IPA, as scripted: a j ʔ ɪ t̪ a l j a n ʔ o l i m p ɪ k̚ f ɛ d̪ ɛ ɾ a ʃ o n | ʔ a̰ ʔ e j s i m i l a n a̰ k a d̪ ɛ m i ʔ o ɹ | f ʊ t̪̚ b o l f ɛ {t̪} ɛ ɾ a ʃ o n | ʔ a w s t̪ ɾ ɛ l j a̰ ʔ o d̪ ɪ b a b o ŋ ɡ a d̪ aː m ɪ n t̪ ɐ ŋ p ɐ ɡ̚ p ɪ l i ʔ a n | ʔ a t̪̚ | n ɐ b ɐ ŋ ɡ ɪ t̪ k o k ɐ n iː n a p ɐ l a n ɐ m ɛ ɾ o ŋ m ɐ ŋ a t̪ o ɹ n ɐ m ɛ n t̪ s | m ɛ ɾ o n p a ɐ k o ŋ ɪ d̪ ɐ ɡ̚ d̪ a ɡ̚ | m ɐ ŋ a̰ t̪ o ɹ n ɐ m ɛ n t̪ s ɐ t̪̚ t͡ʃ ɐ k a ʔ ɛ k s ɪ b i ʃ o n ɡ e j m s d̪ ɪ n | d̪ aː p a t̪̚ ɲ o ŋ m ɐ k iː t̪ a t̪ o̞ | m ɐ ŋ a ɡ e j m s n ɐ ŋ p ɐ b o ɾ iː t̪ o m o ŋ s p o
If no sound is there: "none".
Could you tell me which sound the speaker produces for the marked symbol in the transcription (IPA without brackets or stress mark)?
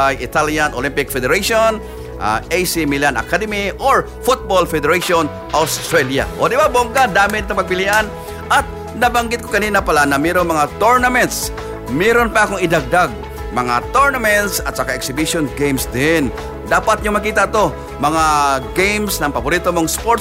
d̪